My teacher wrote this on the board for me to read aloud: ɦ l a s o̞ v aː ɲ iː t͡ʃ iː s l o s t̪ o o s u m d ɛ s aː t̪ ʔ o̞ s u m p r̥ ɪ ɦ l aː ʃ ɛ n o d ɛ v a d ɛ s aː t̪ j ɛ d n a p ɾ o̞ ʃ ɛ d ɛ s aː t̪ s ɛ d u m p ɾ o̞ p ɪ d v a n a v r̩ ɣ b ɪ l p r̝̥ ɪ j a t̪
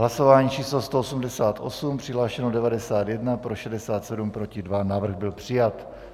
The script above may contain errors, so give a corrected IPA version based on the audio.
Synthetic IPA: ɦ l a s o̞ v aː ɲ iː t͡ʃ iː s l o s t̪ o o s u m d ɛ s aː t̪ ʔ o̞ s u m p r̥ ɪ ɦ l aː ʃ ɛ n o d ɛ v a d ɛ s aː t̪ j ɛ d n a p ɾ o̞ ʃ ɛ d ɛ s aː t̪ s ɛ d u m p ɾ o̞ c ɪ d v a n a v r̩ ɣ b ɪ l p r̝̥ ɪ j a t̪